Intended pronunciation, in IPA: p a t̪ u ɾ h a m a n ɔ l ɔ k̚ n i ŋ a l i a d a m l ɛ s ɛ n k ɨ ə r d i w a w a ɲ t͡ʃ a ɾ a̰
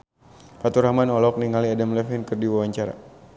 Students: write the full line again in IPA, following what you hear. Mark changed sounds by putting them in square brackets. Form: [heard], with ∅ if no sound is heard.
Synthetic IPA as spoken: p a t̪ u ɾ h a m a n ɔ l ɔ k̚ n i ŋ a l i a d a m l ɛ [f] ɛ n k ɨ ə r d i w a w a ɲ t͡ʃ a ɾ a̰